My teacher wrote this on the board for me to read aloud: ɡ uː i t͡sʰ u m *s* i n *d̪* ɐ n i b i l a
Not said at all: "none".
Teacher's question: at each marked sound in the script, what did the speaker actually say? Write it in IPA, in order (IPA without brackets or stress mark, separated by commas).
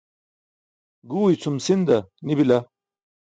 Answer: s, d̪